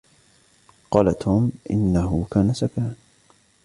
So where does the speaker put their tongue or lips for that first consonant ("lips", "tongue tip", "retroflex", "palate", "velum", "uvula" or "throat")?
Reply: uvula